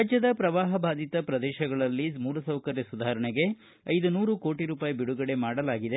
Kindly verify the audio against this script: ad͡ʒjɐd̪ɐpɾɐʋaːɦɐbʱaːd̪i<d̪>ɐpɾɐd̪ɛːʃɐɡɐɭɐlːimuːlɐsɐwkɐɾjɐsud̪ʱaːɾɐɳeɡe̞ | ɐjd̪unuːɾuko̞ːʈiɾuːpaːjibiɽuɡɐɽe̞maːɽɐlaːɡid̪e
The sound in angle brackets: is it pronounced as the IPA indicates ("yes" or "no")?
no